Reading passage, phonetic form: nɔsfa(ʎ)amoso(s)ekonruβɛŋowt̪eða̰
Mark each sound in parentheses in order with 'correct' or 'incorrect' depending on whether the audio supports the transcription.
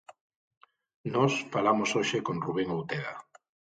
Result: incorrect: l, incorrect: ʃ

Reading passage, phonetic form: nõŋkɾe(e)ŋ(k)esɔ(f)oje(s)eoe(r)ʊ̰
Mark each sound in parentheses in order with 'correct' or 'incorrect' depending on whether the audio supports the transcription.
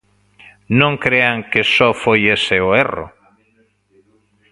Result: incorrect: a, correct, correct, correct, correct

